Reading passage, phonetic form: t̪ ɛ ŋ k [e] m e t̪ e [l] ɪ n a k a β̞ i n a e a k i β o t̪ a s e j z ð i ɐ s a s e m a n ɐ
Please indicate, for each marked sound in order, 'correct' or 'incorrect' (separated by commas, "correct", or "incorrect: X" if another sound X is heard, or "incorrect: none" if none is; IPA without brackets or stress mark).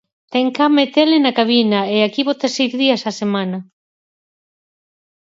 incorrect: a, correct